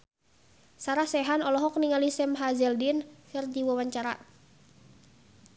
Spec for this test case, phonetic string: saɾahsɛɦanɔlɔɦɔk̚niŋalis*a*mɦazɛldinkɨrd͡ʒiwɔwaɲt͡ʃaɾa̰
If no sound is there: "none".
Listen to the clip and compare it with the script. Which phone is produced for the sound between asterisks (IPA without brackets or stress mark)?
ɛ